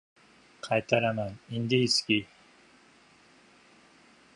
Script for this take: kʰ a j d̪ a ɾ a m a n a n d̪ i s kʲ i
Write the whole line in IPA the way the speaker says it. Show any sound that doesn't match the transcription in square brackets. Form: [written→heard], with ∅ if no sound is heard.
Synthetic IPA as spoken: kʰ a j [d̪→t̪] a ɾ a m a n [a→i] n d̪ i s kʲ i